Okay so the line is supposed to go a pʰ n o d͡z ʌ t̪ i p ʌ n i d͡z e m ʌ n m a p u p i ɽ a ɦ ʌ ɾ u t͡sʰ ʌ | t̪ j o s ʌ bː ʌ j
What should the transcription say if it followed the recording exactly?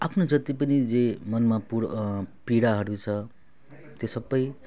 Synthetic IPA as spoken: a pʰ n o d͡z ʌ t̪ i p ʌ n i d͡z e m ʌ n m a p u p i ɽ a ɦ ʌ ɾ u t͡sʰ ʌ | t̪ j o s ʌ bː ʌ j